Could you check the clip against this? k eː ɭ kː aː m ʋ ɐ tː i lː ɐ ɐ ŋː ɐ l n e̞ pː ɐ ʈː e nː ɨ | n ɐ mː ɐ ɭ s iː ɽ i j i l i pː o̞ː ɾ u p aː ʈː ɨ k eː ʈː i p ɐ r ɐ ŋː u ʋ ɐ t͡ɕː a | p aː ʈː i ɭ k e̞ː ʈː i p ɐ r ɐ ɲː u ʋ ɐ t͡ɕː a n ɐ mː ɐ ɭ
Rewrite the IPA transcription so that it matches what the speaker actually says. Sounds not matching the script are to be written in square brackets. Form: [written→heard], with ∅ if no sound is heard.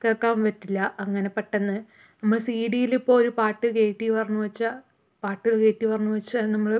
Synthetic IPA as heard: k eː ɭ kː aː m ʋ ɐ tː i lː ɐ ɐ ŋː ɐ [l→∅] n e̞ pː ɐ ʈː e nː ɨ | n ɐ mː ɐ ɭ s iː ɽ i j i l i pː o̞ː ɾ u p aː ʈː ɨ k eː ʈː i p ɐ r ɐ [ŋː→ɲː] u ʋ ɐ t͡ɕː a | p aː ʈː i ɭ k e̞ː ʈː i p ɐ r ɐ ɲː u ʋ ɐ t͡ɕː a n ɐ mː ɐ ɭ